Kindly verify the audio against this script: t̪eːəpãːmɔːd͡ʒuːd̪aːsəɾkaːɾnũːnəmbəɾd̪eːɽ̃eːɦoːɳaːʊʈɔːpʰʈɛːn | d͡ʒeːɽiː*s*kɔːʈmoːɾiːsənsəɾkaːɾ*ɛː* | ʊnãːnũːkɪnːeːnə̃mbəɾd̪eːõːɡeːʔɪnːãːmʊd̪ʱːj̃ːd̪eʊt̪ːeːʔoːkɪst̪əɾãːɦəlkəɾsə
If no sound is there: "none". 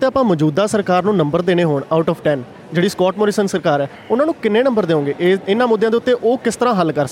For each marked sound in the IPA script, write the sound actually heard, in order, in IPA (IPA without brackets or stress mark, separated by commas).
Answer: s, ɛː